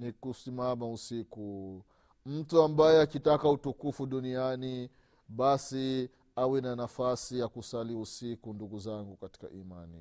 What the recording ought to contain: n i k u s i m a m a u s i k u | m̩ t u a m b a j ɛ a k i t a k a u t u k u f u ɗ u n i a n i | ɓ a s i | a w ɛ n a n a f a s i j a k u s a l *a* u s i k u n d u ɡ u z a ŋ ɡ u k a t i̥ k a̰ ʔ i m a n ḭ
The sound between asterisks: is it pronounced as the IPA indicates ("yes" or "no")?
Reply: no